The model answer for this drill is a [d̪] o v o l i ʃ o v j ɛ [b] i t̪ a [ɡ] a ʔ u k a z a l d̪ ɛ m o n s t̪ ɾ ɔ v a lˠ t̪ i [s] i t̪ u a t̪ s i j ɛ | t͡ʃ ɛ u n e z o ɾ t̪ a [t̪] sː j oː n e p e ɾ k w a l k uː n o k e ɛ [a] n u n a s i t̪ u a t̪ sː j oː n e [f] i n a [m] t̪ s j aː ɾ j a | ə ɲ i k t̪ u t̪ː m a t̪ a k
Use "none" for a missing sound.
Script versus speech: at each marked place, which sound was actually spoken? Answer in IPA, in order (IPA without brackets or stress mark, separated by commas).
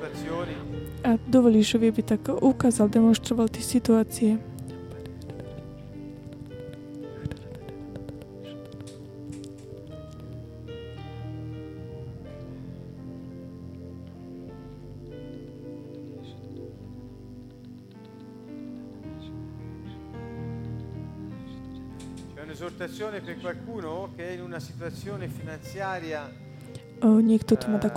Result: d̪, b, k, s, t̪, i, f, n